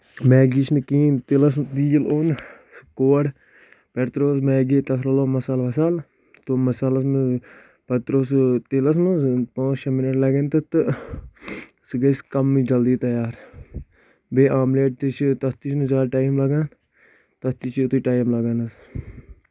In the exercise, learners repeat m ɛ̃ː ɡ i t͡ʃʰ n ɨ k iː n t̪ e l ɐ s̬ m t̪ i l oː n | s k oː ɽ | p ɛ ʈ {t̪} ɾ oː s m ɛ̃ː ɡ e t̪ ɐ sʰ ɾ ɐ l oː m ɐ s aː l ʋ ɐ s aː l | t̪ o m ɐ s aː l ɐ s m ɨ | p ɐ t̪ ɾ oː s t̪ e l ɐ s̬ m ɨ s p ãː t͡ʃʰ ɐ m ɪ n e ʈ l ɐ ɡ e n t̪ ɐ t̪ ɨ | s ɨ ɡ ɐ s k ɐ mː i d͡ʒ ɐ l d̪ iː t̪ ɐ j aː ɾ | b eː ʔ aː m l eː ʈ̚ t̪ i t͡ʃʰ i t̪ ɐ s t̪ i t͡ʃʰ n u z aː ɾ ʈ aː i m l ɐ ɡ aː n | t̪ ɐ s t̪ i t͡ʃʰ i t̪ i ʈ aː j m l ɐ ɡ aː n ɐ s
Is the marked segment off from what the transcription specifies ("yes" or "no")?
no